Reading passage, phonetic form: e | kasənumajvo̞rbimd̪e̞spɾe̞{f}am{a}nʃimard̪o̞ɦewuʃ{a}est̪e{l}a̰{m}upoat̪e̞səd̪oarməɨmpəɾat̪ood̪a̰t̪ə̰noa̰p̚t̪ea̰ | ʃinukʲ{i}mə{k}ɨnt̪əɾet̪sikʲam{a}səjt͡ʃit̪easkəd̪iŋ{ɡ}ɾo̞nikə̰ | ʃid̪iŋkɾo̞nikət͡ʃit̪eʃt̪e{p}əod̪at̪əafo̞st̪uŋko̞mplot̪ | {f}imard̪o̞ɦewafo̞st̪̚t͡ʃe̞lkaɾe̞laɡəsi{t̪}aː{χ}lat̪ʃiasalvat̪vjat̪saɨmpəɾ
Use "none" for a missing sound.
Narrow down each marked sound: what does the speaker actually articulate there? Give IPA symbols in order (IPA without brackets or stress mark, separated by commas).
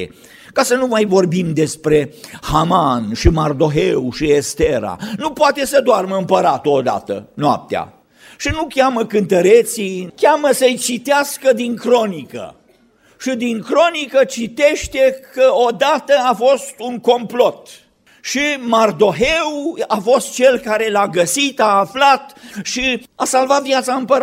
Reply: h, a, i, ɾ, n, a, k, ə, k, k, ʃ, t̪, f